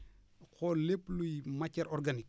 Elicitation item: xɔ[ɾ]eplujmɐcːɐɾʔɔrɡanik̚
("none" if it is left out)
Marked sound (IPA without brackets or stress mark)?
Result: l